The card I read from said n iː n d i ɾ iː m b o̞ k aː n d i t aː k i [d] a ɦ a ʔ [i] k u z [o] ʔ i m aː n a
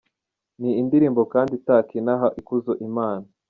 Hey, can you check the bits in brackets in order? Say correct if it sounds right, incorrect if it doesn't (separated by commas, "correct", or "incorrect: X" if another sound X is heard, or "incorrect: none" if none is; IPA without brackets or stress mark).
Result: incorrect: n, correct, correct